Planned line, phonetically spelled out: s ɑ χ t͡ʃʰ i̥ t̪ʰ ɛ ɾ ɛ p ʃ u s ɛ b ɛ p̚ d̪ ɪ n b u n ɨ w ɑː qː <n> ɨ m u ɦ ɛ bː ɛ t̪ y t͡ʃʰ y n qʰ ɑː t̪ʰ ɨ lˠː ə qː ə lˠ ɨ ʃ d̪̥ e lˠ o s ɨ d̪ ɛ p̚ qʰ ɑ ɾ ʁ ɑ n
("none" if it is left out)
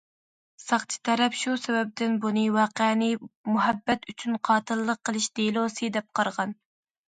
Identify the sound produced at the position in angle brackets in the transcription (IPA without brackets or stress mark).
n